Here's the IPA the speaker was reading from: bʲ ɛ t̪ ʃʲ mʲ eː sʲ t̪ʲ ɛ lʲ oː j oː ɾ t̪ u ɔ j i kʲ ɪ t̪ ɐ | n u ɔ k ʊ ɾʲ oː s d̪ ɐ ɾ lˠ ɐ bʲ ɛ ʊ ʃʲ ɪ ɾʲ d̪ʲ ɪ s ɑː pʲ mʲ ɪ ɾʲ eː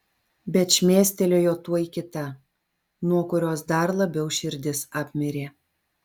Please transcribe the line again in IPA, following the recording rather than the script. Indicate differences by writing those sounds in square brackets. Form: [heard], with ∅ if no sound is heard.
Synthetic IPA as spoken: bʲ ɛ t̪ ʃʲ mʲ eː sʲ t̪ʲ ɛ lʲ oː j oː [∅] t̪ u ɔ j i kʲ ɪ t̪ ɐ | n u ɔ k ʊ ɾʲ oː s d̪ ɐ ɾ lˠ ɐ bʲ ɛ ʊ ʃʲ ɪ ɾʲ d̪ʲ ɪ s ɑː pʲ mʲ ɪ ɾʲ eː